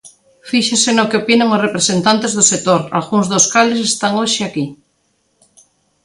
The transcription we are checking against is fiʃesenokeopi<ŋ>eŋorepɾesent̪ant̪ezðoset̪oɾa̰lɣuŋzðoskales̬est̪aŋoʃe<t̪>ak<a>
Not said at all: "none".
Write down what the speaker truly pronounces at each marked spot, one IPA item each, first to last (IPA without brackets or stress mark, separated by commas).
n, none, i